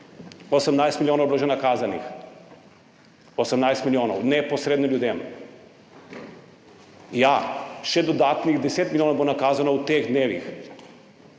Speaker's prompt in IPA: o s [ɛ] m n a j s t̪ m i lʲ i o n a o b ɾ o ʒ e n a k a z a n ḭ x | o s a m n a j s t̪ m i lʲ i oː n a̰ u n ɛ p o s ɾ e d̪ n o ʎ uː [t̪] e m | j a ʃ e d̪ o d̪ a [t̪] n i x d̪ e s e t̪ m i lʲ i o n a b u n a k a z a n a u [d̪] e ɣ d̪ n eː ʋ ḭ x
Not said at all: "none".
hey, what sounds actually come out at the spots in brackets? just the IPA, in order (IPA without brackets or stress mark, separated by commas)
a, d̪, t̪, t̪